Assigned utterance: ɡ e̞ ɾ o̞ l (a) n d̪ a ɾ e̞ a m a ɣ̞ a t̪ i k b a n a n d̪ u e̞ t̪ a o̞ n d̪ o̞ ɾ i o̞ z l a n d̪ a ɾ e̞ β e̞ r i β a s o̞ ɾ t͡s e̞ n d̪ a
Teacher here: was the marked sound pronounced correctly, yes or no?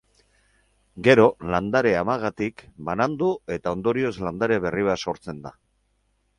yes